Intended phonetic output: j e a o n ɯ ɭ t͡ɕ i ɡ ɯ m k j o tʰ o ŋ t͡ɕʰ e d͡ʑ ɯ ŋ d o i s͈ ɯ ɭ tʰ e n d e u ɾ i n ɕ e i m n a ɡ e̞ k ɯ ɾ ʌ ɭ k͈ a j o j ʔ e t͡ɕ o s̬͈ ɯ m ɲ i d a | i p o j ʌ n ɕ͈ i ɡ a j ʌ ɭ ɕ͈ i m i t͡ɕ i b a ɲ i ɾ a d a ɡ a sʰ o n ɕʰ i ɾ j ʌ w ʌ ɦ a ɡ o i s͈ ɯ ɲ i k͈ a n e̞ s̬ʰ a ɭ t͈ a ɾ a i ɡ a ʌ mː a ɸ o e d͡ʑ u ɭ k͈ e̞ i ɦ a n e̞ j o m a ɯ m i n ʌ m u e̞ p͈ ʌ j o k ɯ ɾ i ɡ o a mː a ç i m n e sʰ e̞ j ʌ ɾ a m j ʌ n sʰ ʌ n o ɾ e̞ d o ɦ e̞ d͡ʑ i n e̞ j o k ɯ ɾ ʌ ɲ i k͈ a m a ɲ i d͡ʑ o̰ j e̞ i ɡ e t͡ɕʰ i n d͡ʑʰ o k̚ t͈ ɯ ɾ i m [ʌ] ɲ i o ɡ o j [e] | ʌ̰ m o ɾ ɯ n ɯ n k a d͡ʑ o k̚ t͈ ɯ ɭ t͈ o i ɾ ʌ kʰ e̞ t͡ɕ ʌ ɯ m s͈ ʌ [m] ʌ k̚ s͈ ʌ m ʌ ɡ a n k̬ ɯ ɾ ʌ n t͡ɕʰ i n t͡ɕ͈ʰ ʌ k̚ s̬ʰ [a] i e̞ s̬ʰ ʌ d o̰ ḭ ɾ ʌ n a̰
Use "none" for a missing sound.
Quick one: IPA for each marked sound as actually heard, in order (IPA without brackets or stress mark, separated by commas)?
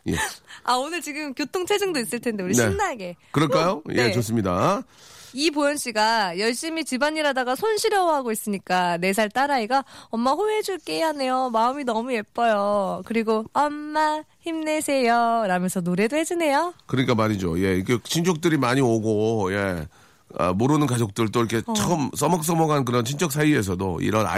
a, e, m, a